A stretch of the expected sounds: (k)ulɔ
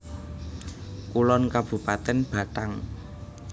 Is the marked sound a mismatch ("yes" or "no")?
no